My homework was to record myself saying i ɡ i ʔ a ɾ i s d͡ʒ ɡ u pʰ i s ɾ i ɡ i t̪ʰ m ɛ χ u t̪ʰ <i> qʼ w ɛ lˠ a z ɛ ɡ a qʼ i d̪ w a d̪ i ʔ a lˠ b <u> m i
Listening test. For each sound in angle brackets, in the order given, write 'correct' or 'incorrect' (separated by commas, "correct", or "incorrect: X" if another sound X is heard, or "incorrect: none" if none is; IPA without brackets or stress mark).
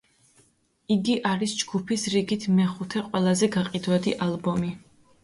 incorrect: ɛ, incorrect: ɔ